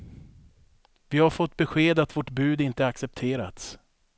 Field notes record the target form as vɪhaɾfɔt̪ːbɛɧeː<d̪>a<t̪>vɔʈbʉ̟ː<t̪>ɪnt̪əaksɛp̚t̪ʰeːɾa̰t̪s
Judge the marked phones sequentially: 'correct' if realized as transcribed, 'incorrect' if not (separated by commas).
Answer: correct, correct, incorrect